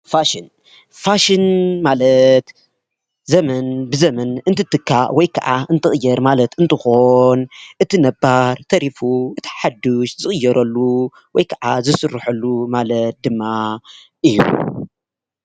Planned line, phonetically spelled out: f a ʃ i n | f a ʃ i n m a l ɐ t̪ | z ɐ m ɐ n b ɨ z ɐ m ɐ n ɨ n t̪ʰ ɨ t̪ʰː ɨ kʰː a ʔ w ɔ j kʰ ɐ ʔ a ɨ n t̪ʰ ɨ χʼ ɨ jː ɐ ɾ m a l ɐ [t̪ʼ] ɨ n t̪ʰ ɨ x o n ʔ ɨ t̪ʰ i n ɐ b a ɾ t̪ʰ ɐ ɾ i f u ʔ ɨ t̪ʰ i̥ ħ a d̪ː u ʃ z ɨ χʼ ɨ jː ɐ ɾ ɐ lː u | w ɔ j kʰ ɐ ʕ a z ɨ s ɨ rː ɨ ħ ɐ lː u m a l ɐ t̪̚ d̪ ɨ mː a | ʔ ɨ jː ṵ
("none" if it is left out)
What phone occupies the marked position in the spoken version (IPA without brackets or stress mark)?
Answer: t̪